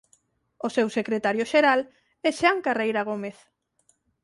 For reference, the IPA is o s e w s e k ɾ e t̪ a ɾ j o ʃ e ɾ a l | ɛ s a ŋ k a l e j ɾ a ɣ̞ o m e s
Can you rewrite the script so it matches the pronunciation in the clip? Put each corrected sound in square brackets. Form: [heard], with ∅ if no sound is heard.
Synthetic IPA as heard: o s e w s e k ɾ e t̪ a ɾ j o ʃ e ɾ a l | ɛ [ʃ] a ŋ k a [r] e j ɾ a ɣ̞ o m e [θ]